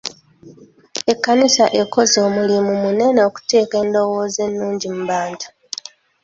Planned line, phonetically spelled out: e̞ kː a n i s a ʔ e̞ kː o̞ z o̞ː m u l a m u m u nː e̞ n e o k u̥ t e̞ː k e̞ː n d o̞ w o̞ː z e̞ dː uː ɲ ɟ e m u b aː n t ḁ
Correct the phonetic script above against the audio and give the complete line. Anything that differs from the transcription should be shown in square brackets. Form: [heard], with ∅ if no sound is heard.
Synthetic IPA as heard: e̞ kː a n i s a ʔ e̞ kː o̞ z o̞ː m u l [i] m u m u [n] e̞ n e o k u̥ t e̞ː k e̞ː n d o̞ w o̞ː z e̞ [nː] uː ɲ ɟ [i] m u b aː n t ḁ